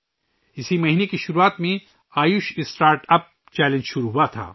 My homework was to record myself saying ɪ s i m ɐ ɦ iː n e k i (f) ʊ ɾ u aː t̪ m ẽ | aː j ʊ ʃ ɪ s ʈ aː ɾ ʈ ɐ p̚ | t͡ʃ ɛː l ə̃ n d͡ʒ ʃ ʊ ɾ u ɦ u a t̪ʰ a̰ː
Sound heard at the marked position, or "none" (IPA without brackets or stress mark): ʃ